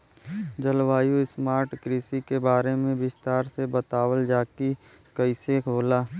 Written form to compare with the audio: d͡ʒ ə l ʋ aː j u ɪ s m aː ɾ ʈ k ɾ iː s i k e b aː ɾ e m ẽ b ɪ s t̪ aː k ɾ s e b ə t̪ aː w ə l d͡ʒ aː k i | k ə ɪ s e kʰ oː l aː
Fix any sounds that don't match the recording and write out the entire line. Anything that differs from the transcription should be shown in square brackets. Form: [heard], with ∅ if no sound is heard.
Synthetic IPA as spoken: d͡ʒ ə l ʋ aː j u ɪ s m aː ɾ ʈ k ɾ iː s i k e b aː ɾ e m ẽ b ɪ s t̪ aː [∅] ɾ s e b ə t̪ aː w ə l d͡ʒ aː k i | k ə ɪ s e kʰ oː l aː